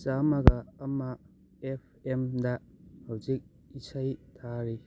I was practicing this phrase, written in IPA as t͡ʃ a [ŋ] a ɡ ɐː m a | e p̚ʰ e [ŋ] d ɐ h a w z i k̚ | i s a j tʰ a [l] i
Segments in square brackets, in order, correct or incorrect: incorrect: m, incorrect: m, incorrect: ɾ

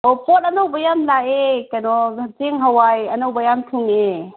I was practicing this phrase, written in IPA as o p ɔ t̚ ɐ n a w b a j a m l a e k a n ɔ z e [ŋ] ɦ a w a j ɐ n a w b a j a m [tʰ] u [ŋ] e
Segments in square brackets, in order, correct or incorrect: correct, correct, correct

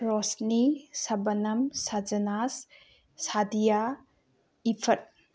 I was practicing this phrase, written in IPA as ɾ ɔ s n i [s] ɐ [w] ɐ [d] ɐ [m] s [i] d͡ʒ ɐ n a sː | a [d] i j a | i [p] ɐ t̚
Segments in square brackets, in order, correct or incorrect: correct, incorrect: b, incorrect: n, correct, incorrect: a, correct, incorrect: pʰ

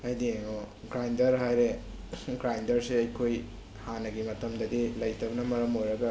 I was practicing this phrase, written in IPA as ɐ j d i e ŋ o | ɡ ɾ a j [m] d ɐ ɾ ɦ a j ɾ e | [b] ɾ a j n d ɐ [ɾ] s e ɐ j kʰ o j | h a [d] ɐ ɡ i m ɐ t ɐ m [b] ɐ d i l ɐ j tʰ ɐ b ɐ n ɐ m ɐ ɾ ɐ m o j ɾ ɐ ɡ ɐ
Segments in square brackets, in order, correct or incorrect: incorrect: n, incorrect: ɡ, correct, incorrect: n, incorrect: d

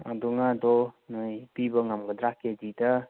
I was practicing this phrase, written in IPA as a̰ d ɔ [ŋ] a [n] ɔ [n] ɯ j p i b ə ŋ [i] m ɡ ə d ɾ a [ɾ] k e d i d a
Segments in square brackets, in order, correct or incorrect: correct, incorrect: d, correct, incorrect: a, incorrect: none

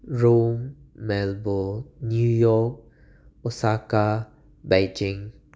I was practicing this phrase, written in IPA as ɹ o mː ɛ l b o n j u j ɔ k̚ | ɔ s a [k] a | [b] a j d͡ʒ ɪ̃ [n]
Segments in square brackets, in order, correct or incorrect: correct, correct, incorrect: ŋ

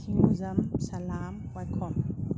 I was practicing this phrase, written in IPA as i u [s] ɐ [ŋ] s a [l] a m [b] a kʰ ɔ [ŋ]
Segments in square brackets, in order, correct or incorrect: incorrect: z, incorrect: m, correct, incorrect: w, incorrect: m

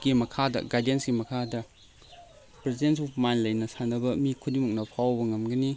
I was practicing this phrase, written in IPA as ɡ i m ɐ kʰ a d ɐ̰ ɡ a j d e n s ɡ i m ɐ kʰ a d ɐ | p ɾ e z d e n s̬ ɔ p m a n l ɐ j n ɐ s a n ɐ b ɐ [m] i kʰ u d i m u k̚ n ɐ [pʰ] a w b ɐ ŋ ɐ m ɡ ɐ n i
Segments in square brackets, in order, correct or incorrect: correct, correct

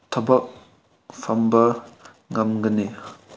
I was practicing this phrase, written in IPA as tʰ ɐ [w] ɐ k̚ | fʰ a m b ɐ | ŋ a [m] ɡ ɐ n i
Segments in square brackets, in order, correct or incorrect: incorrect: b, correct

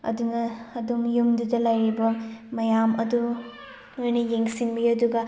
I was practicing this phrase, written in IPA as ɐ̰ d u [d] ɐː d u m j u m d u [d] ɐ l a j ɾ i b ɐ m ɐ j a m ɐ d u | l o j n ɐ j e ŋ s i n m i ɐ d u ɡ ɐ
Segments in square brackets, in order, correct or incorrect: incorrect: n, correct

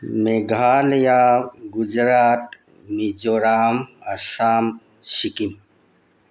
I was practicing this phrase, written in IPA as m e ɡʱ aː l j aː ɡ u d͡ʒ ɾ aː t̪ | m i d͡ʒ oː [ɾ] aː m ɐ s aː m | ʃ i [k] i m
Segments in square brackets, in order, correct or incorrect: correct, correct

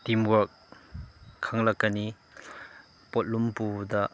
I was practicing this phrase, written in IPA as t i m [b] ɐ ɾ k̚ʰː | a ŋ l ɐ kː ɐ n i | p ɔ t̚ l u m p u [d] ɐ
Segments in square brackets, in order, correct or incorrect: incorrect: w, correct

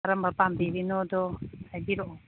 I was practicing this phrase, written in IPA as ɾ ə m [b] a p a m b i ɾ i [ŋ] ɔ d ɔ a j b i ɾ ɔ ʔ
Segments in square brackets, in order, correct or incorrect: correct, incorrect: n

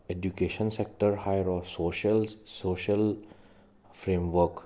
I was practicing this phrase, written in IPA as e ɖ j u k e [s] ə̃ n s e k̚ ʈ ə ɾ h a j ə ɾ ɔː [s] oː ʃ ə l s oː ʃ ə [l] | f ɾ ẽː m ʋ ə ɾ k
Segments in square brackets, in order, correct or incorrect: incorrect: ʃ, correct, correct

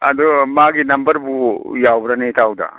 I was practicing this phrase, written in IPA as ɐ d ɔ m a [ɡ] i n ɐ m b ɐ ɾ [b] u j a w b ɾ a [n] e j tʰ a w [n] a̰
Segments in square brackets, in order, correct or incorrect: correct, correct, correct, incorrect: d

